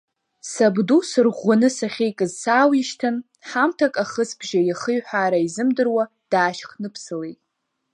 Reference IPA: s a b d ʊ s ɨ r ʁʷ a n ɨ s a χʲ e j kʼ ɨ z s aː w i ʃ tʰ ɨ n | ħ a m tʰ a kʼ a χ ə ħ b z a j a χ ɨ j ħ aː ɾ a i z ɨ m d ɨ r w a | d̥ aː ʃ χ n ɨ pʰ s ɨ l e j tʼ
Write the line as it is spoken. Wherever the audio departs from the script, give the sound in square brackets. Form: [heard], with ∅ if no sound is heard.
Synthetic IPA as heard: s a b d [u] s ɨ r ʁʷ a n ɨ s a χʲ e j kʼ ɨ z s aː w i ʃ tʰ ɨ n | ħ a m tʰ a kʼ a χ ə [s] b [ʒ] a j a χ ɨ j ħ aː ɾ a i z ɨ m d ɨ r w a | d̥ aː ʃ χ n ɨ pʰ s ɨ l e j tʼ